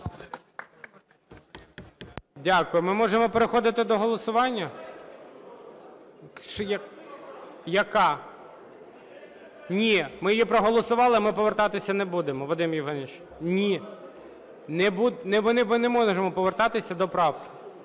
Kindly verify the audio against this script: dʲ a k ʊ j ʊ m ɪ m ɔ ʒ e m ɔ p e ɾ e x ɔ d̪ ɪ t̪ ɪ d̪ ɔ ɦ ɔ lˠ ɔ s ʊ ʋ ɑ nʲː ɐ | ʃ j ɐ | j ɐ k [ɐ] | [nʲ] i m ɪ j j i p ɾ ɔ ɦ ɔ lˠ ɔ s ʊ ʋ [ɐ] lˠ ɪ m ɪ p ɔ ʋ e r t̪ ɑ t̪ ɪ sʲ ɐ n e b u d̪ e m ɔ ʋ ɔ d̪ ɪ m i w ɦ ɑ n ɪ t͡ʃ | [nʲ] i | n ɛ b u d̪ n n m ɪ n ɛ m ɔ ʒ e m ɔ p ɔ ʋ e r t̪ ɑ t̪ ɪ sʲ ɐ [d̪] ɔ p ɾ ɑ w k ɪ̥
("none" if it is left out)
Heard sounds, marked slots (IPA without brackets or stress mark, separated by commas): ɑ, nʲ, ɑ, nʲ, d̪